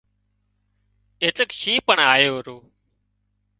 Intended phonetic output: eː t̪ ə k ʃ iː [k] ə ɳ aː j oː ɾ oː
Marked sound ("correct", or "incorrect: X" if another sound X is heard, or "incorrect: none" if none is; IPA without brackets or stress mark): incorrect: p